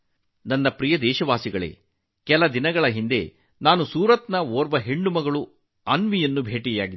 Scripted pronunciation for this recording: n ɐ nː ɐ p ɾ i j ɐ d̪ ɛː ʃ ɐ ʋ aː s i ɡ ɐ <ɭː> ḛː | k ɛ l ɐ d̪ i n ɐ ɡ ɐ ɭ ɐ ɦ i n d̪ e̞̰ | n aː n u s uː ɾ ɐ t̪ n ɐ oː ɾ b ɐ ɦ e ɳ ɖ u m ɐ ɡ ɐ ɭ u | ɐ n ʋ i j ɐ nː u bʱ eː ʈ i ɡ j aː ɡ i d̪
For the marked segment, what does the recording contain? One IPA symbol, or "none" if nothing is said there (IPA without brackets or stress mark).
ɭ